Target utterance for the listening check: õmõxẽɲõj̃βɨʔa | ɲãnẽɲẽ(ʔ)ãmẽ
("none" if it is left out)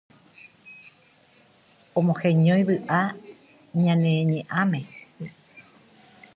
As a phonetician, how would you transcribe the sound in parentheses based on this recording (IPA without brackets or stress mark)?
ʔ